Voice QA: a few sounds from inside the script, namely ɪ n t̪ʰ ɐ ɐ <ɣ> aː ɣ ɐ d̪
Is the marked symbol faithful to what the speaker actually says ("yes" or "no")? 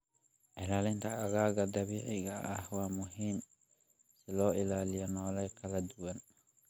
yes